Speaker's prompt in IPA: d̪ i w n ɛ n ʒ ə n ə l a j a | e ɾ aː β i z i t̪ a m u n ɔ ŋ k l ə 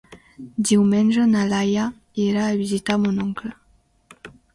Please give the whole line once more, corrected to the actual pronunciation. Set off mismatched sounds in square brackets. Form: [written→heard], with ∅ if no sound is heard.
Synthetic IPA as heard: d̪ i w [n→m] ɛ n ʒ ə n [ə→a] l a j a | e ɾ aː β i z i t̪ a m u n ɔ ŋ k l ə